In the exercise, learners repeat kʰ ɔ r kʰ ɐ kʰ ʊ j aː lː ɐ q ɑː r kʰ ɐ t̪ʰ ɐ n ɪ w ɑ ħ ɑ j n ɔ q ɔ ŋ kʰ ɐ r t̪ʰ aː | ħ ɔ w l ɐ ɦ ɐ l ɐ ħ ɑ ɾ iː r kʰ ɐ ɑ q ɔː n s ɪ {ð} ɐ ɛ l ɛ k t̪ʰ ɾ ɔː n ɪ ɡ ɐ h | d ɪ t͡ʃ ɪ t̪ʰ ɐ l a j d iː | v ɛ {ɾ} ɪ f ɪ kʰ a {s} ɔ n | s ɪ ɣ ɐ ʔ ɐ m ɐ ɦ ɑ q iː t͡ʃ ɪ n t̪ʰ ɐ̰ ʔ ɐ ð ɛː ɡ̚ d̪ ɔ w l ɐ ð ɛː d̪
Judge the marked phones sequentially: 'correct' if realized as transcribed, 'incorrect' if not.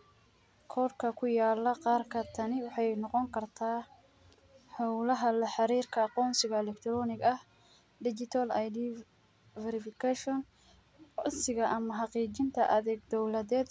incorrect: ɣ, correct, incorrect: ʃ

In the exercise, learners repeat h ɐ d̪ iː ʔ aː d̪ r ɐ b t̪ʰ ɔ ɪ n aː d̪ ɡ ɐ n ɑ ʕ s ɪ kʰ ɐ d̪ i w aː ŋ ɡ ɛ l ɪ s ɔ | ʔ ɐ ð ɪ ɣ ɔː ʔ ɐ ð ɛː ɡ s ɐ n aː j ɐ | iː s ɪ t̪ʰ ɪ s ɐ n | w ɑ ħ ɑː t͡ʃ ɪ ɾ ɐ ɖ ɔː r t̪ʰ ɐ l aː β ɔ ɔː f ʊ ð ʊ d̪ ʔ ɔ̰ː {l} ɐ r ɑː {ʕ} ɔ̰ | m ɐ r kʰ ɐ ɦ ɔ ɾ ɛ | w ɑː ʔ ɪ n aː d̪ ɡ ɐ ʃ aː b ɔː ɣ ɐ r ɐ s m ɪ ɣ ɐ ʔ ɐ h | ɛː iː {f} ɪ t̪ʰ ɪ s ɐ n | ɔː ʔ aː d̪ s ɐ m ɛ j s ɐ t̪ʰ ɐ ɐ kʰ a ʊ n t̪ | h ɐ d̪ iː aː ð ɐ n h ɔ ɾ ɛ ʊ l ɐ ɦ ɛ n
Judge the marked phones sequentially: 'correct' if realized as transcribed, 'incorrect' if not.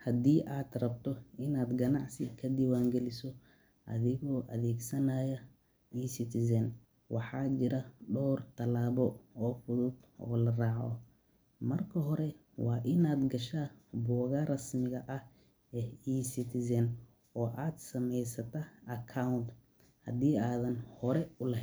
correct, correct, incorrect: s

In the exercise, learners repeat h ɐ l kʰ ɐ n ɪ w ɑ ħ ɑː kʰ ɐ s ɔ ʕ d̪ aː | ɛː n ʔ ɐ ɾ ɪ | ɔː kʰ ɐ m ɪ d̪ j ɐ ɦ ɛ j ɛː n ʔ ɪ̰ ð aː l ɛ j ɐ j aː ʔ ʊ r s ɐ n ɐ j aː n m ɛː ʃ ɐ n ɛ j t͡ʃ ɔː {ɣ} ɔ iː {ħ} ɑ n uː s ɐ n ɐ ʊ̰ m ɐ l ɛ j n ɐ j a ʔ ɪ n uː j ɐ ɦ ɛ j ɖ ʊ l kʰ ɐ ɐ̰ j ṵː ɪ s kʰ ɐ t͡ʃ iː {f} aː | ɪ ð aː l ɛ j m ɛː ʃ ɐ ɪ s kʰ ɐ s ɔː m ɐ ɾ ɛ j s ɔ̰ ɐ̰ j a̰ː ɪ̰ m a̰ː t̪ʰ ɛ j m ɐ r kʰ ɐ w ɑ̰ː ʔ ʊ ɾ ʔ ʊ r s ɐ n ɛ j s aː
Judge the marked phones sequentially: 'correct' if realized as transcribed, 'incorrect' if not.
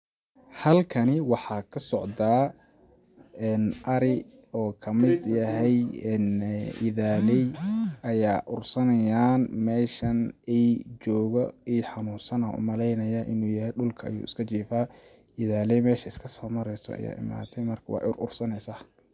correct, correct, correct

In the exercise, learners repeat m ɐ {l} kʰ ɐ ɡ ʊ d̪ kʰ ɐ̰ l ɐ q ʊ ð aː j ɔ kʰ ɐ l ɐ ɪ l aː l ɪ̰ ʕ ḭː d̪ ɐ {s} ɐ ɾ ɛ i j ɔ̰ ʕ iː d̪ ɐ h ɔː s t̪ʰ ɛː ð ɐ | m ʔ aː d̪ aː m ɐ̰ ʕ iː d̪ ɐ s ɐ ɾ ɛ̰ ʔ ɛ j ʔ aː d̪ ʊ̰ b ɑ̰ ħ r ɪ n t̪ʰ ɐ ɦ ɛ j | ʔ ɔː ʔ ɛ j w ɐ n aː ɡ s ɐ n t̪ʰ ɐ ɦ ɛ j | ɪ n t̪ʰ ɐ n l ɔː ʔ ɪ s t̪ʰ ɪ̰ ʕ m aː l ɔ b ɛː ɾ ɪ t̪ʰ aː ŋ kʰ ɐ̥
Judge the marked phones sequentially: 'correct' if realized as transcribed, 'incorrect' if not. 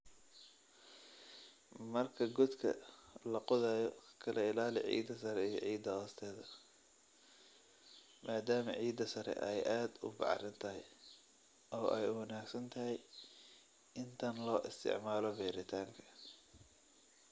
incorrect: r, correct

